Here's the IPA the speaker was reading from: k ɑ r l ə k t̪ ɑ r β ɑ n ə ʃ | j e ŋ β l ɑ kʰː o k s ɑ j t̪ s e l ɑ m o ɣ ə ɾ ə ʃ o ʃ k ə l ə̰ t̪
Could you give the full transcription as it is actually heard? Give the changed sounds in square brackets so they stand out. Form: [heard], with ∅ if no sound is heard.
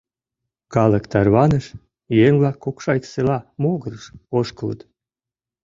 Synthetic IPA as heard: k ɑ [∅] l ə k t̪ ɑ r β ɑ n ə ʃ | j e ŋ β l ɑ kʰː o k [ʃ] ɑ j t̪ s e l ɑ m o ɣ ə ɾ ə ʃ o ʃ k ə l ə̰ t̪

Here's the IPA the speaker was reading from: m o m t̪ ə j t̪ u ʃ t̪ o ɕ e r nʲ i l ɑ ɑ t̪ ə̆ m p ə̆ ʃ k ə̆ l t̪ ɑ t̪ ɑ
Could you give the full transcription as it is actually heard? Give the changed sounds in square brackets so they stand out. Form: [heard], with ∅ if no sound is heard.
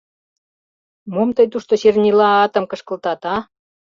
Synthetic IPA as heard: m o m t̪ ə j t̪ u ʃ t̪ o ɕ e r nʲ i l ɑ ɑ t̪ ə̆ m [k] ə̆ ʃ k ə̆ l t̪ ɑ t̪ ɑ

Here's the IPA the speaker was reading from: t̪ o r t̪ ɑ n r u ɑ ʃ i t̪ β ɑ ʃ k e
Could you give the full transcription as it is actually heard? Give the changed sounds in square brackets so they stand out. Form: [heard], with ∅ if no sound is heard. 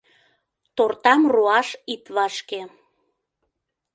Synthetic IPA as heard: t̪ o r t̪ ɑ [m] r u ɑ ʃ i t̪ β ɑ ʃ k e

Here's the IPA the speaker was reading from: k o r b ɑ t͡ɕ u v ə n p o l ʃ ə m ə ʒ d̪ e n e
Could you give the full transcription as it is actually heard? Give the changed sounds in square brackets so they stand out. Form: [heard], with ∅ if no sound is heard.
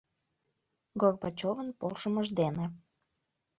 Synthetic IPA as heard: [ɡ] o r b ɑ t͡ɕ [o] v ə n p o l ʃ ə m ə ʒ d̪ e n e

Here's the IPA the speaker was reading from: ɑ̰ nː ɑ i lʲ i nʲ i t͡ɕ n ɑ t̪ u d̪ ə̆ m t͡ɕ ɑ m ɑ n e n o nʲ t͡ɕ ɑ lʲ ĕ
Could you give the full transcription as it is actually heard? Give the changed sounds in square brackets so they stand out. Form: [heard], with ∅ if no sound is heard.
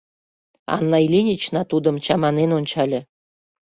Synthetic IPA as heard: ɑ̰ nː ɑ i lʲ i nʲ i t͡ɕ n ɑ t̪ u d̪ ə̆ m t͡ɕ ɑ m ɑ n e n o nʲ t͡ɕ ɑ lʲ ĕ

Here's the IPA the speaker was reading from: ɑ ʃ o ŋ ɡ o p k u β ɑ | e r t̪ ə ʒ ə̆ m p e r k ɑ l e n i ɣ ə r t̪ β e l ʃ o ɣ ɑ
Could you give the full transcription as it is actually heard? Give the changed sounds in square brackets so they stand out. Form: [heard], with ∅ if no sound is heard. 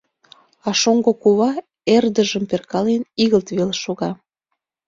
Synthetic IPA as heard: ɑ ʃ o ŋ ɡ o [∅] k u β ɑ | e r [d̪] ə ʒ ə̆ m p e r k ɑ l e n i ɣ ə [l] t̪ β e l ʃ o ɣ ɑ

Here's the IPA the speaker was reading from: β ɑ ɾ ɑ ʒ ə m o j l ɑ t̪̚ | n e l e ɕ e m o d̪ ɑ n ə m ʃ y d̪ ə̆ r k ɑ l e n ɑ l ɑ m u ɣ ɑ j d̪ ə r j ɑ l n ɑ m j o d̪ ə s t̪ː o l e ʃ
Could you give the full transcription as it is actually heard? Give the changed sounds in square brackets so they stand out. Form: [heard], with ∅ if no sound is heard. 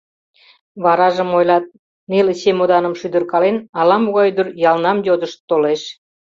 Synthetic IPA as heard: β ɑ ɾ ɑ ʒ ə m o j l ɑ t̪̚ | n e l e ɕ e m o d̪ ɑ n ə m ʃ y d̪ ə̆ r k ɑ l e n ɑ l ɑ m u ɣ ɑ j d̪ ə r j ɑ l n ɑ m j o d̪ ə [ʃ] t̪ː o l e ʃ

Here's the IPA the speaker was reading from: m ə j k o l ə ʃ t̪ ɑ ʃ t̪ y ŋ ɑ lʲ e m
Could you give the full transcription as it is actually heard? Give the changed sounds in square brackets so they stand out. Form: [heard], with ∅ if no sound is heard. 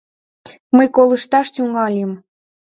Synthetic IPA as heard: m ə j k o l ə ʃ t̪ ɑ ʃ t̪ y ŋ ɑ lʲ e m

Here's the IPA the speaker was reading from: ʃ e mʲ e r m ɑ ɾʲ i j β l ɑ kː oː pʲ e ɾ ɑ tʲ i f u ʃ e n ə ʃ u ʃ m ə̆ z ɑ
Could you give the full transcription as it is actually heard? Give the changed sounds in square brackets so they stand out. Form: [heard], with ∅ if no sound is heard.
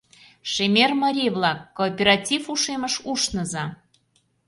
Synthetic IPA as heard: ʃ e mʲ e r m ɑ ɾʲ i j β l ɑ kː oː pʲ e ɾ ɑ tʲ i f u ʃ e [m] ə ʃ u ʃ [n] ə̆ z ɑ

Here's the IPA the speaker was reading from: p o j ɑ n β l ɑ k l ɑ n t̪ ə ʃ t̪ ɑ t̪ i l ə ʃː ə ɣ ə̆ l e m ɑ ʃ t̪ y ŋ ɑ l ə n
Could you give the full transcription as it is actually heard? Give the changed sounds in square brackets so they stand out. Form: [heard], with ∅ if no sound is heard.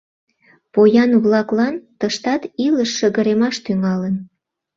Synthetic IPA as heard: p o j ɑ n β l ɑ k l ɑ n t̪ ə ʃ t̪ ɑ t̪ i l ə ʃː ə ɣ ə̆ [ɾ] e m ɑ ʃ t̪ y ŋ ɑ l ə n

